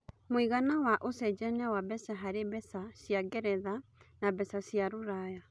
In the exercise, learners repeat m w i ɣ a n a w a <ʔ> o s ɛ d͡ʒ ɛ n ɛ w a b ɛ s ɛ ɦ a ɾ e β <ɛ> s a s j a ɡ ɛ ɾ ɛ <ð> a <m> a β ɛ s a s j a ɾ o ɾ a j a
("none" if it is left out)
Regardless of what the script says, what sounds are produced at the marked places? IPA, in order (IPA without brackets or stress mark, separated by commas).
ʔ, ɛ, ð, n